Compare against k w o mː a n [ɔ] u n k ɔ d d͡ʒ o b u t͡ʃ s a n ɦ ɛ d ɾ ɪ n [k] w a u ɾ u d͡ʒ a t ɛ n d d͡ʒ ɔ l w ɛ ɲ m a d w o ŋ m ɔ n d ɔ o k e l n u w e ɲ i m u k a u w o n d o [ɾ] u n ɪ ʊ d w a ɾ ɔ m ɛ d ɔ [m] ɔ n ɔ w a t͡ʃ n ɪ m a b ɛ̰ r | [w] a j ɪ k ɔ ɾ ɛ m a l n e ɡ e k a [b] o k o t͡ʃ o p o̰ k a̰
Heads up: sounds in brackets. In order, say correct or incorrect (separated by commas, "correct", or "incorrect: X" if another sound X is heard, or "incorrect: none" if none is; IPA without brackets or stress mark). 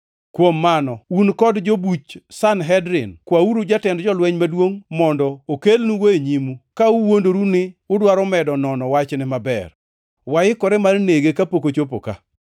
correct, correct, correct, incorrect: n, correct, incorrect: p